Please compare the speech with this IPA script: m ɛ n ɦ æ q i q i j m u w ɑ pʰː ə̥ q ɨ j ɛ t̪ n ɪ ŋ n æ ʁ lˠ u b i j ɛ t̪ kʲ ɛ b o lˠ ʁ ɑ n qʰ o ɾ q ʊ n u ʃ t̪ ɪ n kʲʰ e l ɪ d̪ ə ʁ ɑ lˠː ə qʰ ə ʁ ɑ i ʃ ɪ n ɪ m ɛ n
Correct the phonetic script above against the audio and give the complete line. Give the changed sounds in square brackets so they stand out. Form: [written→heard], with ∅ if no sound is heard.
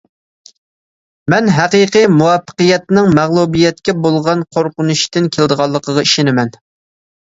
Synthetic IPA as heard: m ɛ n ɦ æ q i q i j m u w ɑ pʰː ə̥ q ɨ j ɛ t̪ n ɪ ŋ [n→m] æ ʁ lˠ u b i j ɛ t̪ kʲ ɛ b o lˠ ʁ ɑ n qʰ o ɾ q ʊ n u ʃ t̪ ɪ n kʲʰ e l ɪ d̪ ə ʁ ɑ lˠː ə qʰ ə ʁ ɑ i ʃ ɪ n ɪ m ɛ n